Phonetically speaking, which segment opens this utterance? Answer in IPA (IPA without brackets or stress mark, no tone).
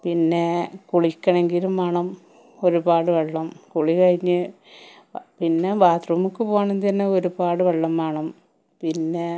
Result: p